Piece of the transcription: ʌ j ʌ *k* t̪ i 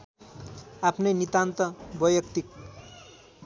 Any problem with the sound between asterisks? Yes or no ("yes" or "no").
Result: no